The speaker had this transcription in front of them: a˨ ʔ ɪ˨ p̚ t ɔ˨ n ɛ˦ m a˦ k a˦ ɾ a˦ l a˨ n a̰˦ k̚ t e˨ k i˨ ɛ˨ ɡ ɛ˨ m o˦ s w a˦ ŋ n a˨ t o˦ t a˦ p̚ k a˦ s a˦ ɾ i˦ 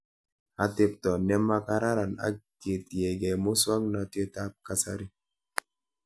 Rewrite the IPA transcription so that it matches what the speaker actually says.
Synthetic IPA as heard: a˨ t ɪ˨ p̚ t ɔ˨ n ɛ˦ m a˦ k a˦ ɾ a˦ ɾ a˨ n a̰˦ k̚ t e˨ t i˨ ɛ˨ ɡ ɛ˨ m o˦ s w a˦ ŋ n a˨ t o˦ t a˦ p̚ k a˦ s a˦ ɾ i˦